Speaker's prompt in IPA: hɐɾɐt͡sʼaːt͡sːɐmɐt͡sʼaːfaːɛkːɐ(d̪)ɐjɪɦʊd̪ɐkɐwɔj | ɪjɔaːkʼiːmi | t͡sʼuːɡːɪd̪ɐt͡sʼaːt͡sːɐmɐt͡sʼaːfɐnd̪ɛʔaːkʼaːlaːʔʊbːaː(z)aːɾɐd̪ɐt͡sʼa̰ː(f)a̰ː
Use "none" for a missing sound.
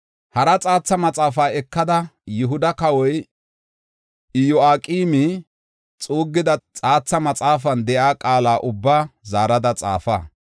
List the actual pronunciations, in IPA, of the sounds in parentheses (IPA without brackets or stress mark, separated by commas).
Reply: d̪, z, f